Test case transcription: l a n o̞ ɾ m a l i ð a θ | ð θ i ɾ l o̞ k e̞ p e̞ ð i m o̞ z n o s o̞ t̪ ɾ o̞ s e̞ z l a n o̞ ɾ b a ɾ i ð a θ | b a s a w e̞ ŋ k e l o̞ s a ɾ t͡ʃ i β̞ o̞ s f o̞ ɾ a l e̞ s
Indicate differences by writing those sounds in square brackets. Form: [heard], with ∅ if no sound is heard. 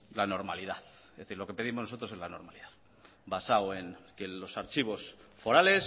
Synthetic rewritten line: l a n o̞ ɾ m a l i ð a θ | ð θ i ɾ l o̞ k e̞ p e̞ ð i m o̞ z n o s o̞ t̪ ɾ o̞ s e̞ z l a n o̞ ɾ [m] a [l] i ð a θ | b a s a w e̞ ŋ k e l o̞ s a ɾ t͡ʃ i β̞ o̞ s f o̞ ɾ a l e̞ s